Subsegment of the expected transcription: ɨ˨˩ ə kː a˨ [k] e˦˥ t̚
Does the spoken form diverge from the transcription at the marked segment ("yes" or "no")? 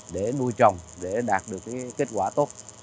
no